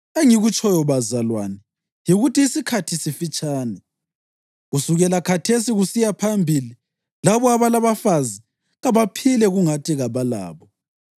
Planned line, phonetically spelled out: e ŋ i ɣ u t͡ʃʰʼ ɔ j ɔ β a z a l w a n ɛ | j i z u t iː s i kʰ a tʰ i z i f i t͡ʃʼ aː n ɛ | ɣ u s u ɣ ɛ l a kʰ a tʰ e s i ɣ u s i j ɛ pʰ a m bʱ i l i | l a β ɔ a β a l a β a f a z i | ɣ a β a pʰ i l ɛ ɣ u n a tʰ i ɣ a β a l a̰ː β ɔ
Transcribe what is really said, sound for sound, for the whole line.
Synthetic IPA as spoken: e ŋ i ɣ u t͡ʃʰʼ ɔ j ɔ β a z a l w a n ɛ | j i ɣ u t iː s i kʰ a tʰ i s i f i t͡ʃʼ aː n ɛ | ɣ u s u ɣ ɛ l a kʰ a tʰ e s i ɣ u s i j a pʰ a m bʱ i l i | l a β ɔ a β a l a β a f a z i | ɣ a β a pʰ i l ɛ ɣ u ŋ a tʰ i ɣ a β a l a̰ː β ɔ

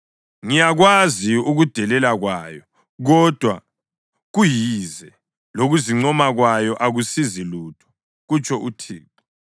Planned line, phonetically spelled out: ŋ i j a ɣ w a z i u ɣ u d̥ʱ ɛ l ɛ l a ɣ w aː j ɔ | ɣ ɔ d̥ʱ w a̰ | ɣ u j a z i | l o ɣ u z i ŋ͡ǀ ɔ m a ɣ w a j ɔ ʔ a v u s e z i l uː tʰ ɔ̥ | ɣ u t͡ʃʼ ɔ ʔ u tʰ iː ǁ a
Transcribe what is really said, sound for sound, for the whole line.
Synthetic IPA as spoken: ŋ i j a ɣ w a z i u ɣ u d̥ʱ ɛ l ɛ l a ɣ w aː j ɔ | ɣ ɔ d̥ʱ w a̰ | ɣ u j i z ɛ | l o ɣ u z i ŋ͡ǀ ɔ m a ɣ w a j ɔ ʔ a ɣ u s i z i l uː tʰ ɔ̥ | ɣ u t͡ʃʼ ɔ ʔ u tʰ iː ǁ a

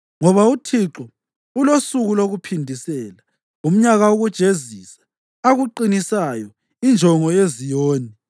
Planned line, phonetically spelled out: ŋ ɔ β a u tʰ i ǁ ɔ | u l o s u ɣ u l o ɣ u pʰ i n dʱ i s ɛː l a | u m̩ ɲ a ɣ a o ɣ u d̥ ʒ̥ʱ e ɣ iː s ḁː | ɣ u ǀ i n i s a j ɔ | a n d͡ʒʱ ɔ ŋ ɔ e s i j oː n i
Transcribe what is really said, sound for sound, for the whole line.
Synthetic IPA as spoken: ŋ ɔ β a u tʰ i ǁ ɔ | u l o s u ɣ u l o ɣ u pʰ i n dʱ i s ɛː l a | u m̩ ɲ a ɣ a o ɣ u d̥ ʒ̥ʱ e z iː s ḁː | ɣ u ǃ i n i s a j ɔ | i n d͡ʒʱ ɔ ŋ ɔ e z i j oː n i

